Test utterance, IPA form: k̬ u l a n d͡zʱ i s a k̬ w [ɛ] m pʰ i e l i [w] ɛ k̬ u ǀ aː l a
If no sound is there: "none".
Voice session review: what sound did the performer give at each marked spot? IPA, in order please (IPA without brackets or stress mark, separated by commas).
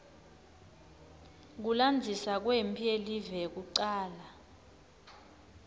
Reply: e, v